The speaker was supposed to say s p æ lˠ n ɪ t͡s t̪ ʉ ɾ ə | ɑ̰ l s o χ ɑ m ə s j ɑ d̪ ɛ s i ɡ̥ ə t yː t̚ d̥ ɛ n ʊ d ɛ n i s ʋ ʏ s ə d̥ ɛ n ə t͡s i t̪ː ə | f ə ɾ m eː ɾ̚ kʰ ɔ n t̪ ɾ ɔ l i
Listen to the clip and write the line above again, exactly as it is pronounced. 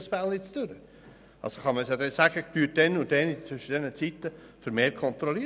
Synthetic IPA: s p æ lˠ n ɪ t͡s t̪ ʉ ɾ ə | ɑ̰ l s o χ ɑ m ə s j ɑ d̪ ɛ s æ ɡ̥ ə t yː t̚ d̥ ɛ n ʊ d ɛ n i t͡s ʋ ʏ ʃ ə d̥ ɛ n ə t͡s i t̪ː ə | f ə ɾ m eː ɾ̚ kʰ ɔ n t̪ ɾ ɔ l i